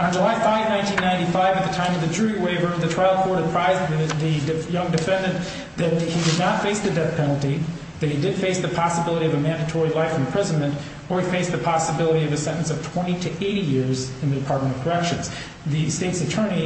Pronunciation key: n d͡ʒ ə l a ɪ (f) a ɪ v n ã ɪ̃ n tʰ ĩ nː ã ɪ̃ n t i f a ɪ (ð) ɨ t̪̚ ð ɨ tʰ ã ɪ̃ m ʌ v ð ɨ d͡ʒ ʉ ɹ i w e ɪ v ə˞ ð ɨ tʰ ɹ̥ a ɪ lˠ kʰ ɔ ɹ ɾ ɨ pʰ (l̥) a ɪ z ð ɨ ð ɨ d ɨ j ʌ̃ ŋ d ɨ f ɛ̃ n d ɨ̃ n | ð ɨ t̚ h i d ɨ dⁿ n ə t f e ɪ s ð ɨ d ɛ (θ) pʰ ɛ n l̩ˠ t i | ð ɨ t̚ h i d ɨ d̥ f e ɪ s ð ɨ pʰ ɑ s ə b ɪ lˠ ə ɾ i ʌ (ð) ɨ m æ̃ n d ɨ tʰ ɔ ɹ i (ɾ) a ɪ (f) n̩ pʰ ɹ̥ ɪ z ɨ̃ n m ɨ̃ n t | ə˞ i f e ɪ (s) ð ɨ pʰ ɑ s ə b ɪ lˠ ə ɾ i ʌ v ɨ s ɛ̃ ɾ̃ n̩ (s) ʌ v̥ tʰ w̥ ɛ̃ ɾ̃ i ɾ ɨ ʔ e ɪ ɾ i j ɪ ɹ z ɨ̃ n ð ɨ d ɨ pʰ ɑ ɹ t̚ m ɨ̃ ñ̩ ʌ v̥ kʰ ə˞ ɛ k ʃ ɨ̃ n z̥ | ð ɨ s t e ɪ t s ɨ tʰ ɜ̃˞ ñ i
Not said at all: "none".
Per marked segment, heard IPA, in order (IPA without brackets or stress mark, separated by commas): f, v, ɹ̥, θ, v, l, f, s, s